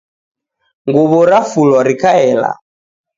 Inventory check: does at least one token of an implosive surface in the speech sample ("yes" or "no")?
no